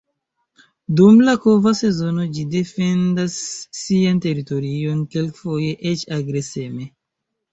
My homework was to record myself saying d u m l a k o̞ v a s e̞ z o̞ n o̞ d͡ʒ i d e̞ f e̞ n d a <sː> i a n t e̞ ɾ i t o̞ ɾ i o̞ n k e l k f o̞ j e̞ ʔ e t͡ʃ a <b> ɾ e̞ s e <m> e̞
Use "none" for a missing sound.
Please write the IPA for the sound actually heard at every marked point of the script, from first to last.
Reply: sː, ɡ, m

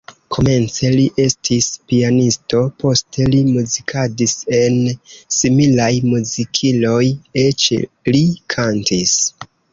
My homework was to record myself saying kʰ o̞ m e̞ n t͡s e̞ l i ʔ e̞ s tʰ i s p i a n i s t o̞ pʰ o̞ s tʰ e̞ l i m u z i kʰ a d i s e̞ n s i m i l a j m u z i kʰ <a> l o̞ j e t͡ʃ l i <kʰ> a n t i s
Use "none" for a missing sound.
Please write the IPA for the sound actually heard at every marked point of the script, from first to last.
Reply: i, kʰ

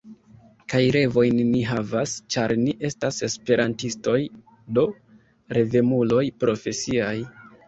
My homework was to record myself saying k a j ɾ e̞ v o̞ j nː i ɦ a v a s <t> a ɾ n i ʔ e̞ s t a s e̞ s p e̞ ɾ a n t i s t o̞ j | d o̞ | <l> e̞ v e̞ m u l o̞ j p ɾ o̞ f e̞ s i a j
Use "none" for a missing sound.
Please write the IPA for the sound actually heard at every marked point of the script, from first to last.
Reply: t͡ʃ, ɾ

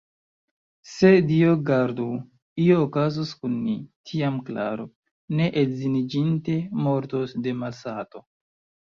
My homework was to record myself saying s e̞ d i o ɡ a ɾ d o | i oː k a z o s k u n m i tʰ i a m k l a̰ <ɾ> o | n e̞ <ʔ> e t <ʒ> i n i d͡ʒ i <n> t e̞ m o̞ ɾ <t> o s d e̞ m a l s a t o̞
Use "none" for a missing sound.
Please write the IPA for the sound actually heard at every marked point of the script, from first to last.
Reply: ɾ, ʔ, z, n, t

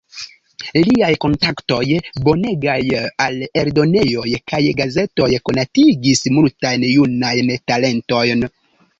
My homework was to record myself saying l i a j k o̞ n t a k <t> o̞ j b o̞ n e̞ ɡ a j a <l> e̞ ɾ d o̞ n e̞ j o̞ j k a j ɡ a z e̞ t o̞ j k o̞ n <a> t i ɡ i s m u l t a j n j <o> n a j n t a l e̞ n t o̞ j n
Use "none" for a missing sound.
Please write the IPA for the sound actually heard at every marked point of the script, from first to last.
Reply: t, l, a, u

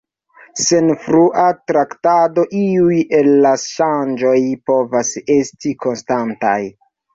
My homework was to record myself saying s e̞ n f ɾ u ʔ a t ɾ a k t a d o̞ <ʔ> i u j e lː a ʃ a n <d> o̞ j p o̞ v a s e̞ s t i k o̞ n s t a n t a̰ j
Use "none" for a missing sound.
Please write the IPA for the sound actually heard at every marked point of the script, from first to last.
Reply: ʔ, d͡ʒ

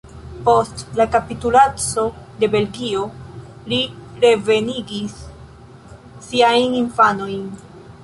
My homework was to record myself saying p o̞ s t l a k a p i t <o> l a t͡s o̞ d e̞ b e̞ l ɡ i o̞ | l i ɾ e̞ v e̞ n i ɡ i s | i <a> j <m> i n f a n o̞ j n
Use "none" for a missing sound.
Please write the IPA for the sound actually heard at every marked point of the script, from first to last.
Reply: u, a, n

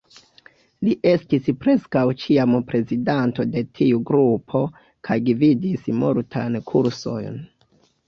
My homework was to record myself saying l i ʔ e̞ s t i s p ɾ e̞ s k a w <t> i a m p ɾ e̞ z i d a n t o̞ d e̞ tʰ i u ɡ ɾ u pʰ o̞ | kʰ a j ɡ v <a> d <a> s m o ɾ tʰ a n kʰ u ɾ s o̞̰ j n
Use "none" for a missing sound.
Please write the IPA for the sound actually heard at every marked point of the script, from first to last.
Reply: t͡ʃ, i, i

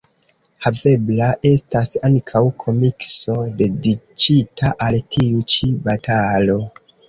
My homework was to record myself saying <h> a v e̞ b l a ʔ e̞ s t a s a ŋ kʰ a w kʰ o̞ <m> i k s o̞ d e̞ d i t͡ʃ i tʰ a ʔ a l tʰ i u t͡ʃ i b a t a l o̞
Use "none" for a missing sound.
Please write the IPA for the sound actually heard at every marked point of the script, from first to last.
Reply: h, m

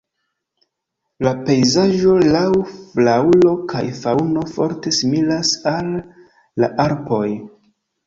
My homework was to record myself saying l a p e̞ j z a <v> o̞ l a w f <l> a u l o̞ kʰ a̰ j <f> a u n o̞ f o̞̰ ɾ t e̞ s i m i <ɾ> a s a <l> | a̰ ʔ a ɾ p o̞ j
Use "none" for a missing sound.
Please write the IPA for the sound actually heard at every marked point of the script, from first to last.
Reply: ʒ, l, f, l, lː

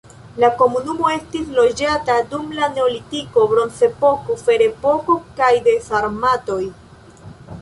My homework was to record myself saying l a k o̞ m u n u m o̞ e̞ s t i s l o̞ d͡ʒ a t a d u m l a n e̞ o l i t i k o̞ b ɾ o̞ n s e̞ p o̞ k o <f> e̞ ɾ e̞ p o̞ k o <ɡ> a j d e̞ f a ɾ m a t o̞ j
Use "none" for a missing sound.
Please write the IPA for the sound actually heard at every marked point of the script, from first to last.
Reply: f, k

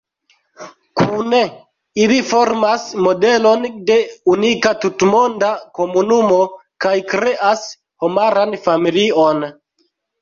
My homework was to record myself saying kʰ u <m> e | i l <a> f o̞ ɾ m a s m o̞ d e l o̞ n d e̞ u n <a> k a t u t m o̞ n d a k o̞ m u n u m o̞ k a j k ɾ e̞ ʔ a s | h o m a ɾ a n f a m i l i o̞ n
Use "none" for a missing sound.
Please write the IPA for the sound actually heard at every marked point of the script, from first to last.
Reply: n, i, i

